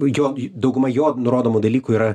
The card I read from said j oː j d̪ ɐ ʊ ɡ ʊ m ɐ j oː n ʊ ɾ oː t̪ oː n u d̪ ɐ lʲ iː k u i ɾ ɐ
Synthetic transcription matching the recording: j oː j d̪ ɐ ʊ ɡ ʊ m ɐ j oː n ʊ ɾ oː d̪ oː m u d̪ ɐ lʲ iː k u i ɾ ɐ